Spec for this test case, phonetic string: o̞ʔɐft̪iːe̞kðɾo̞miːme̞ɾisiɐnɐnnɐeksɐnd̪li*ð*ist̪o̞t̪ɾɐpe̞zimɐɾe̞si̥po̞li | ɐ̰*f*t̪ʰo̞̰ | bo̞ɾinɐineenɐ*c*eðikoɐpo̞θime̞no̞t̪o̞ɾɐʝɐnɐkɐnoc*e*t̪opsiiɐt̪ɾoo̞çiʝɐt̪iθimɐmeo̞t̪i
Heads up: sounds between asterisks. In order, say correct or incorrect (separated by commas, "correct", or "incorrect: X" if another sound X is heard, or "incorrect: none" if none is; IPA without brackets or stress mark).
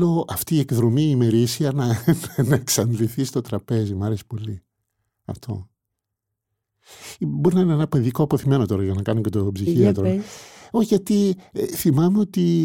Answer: incorrect: θ, correct, incorrect: p, correct